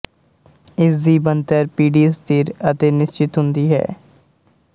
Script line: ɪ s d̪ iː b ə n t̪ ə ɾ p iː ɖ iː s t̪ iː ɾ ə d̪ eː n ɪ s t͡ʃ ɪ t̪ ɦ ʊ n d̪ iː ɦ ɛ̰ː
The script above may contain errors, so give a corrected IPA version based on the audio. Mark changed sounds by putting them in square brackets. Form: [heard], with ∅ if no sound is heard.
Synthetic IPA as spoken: ɪ s d̪ iː b ə n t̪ ə ɾ p iː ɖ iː s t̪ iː ɾ ə [t̪] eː n ɪ s t͡ʃ ɪ t̪ ɦ ʊ n d̪ iː ɦ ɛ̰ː